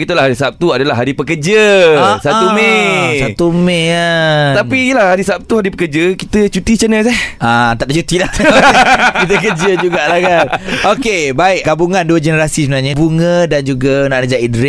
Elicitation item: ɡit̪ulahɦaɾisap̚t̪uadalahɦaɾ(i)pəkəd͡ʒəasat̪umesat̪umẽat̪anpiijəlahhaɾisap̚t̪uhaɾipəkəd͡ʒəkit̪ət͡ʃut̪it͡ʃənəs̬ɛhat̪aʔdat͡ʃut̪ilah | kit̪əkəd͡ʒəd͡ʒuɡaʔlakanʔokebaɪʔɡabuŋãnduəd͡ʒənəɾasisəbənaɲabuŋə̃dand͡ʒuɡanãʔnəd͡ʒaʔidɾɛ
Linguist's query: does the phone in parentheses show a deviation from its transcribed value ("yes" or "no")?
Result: no